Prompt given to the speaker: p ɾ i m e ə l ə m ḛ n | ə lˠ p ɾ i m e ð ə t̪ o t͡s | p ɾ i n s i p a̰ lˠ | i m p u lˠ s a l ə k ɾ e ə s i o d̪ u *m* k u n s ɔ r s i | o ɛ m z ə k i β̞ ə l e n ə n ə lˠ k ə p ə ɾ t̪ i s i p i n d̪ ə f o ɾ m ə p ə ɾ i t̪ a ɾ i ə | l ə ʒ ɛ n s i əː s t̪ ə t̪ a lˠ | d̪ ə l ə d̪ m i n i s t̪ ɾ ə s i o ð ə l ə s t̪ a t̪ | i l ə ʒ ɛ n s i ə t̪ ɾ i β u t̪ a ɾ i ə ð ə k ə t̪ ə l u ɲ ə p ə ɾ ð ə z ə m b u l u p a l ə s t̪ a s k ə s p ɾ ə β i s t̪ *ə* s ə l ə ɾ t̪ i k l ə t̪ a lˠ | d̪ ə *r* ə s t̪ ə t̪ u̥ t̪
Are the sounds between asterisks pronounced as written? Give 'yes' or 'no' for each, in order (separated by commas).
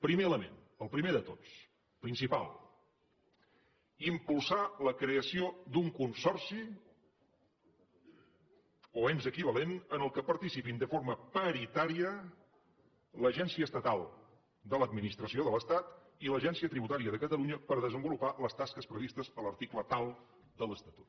no, yes, no